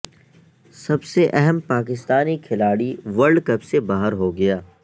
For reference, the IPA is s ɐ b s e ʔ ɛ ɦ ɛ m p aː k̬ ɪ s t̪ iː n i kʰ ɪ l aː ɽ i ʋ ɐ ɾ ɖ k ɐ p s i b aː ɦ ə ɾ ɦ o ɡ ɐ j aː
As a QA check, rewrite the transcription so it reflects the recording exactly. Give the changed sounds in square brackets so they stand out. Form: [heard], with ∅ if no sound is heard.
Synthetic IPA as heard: s ɐ b s e ʔ ɛ ɦ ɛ m p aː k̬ ɪ s t̪ [aː] n i kʰ ɪ l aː ɽ i ʋ ɐ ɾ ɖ k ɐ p s [e] b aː ɦ ə ɾ ɦ o ɡ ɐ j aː